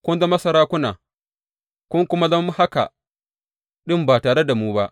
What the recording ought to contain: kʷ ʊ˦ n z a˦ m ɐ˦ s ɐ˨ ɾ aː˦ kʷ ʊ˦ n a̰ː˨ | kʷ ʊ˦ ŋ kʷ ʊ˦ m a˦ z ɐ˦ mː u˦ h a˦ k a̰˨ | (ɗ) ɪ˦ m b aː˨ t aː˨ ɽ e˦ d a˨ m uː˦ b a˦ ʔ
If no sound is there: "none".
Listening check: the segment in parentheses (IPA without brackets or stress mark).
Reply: ɗ